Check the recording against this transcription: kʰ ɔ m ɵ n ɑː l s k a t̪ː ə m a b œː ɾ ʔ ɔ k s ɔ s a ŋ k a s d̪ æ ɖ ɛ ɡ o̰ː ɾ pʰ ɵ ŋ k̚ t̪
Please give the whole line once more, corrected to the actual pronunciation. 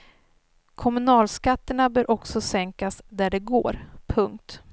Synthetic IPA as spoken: kʰ ɔ m ɵ n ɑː l s k a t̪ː ə ɳ a b œː ɾ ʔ ɔ k s ɔ s ɛ ŋ k a s d̪ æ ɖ ɛ ɡ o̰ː ɾ pʰ ɵ ŋ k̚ t̪